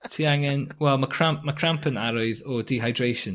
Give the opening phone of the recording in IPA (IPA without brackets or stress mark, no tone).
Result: tʰ